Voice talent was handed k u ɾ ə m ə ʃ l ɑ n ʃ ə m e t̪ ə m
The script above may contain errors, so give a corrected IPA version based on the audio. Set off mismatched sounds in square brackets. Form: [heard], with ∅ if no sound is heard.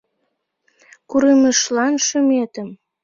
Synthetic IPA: k u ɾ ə m ə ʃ l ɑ n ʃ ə m e t̪ ə m